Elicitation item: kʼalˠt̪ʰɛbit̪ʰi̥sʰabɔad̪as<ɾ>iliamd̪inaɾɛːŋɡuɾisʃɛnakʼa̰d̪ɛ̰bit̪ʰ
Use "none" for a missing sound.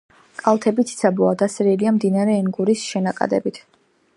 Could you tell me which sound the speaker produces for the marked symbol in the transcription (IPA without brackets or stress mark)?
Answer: ɾ